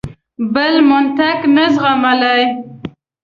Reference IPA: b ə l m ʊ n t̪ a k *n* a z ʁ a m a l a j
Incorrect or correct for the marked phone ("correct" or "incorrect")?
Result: correct